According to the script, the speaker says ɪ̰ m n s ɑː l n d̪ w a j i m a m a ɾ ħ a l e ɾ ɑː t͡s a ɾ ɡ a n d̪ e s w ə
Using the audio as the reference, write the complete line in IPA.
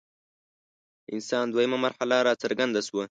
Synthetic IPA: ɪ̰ n s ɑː n d̪ w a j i m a m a ɾ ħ a l a ɾ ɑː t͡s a ɾ ɡ a n d̪ a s w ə